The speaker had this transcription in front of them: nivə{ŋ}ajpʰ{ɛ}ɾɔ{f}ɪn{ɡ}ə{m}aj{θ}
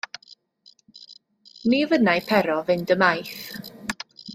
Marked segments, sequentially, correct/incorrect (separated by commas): incorrect, correct, incorrect, incorrect, correct, correct